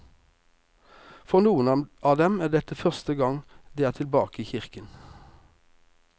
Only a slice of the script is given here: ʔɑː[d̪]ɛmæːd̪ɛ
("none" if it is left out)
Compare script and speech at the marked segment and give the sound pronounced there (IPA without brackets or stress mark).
d̪